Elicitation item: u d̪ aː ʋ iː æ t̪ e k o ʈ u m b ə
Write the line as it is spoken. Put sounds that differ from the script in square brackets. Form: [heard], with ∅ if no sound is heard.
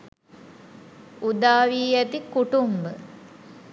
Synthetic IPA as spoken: u d̪ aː ʋ iː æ t̪ [i] k [u] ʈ u m b ə